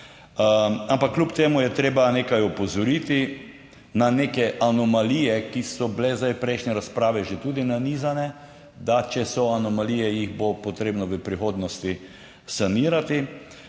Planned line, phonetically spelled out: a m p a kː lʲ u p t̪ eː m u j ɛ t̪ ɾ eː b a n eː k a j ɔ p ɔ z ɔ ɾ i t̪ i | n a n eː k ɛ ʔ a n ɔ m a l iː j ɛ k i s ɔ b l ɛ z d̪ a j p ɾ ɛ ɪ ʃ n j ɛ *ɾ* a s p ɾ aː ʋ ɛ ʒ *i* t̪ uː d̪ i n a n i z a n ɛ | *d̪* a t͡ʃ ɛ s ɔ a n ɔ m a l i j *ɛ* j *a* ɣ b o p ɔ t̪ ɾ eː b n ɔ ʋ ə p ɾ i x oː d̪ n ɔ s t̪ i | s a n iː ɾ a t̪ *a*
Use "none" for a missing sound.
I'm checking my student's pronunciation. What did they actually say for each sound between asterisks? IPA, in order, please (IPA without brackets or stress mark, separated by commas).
ɾ, e, d̪, ɛ, i, i